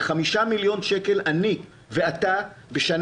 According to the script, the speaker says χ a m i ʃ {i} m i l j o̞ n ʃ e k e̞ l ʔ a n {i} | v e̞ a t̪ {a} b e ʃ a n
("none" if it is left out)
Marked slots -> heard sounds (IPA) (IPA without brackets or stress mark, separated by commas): a, i, a